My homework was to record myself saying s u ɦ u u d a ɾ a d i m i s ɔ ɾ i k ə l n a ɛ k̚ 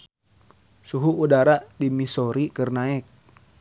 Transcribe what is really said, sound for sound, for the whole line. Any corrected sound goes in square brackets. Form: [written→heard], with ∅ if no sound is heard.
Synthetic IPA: s u ɦ u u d a ɾ a d i m i s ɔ ɾ i k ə [l→r] n a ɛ k̚